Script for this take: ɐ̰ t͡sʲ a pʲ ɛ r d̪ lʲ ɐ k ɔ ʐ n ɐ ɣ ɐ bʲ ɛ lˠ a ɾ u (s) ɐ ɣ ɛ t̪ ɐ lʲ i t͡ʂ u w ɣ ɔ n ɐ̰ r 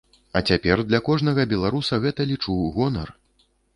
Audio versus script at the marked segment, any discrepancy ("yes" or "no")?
no